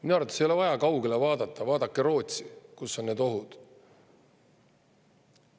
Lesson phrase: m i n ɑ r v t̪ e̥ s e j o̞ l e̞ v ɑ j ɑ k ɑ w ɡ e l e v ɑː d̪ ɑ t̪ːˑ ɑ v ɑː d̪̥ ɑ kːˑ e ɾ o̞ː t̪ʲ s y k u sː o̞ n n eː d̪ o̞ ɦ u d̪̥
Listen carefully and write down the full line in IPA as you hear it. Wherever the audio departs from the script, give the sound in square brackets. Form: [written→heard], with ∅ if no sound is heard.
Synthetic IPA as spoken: m i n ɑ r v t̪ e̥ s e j o̞ l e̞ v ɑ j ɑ k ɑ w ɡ e l e v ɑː d̪ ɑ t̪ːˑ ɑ v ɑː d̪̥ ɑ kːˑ e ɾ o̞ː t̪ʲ s [y→i] k u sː o̞ n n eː d̪ o̞ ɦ u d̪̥